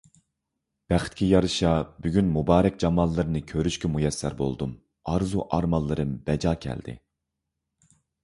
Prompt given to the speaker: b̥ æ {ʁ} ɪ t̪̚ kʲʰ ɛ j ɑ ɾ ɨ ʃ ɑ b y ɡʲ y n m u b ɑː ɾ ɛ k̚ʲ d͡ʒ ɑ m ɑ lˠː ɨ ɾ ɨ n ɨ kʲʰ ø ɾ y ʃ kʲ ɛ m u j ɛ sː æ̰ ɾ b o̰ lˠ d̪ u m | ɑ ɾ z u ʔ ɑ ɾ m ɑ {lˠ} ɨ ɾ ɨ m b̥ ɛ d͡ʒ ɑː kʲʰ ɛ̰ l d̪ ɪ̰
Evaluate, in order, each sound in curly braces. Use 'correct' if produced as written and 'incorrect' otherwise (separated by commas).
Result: incorrect, incorrect